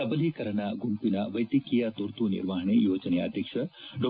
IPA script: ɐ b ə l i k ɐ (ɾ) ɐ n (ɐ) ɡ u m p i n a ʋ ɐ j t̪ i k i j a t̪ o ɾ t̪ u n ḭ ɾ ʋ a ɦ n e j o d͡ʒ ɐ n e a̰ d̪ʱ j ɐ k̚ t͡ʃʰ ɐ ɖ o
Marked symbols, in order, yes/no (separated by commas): yes, no